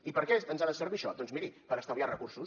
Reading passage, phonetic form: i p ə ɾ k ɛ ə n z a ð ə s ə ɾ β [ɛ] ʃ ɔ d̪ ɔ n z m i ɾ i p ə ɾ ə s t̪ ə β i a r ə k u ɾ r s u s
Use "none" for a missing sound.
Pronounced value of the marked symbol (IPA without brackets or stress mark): i